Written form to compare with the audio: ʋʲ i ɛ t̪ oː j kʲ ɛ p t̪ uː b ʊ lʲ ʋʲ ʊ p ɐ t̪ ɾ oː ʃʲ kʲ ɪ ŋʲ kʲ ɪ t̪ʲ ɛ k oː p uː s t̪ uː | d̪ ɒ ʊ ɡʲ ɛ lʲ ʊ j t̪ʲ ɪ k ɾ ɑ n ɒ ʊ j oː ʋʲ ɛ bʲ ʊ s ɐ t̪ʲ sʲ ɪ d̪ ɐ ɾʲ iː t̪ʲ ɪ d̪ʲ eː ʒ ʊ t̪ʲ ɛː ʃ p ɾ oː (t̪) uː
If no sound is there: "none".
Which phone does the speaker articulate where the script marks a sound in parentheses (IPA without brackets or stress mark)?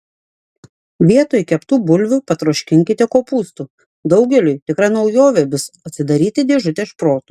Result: t̪